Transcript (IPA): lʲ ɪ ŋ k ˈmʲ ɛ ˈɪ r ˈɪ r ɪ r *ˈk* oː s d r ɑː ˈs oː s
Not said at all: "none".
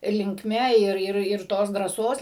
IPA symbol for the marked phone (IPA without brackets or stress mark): t